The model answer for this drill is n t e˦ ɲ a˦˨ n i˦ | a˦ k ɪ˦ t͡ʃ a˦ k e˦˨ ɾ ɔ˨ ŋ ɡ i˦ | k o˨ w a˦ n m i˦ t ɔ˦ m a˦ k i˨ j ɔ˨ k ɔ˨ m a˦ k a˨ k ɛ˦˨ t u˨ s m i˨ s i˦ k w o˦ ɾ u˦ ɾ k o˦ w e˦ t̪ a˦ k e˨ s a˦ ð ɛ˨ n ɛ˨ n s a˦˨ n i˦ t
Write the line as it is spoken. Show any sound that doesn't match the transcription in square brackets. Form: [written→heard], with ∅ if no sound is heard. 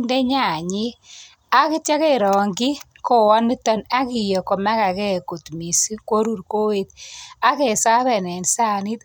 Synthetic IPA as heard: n [t→d] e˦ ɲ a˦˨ [n→ɲ] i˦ | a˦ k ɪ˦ t͡ʃ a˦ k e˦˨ ɾ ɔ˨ ŋ ɡ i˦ | k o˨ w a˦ n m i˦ t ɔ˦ [m→n] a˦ k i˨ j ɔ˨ k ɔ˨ m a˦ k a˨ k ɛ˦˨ [t→k] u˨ [s→t] m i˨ s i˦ k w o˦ ɾ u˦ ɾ k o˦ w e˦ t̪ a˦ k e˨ s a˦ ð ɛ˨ n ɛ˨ n s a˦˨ n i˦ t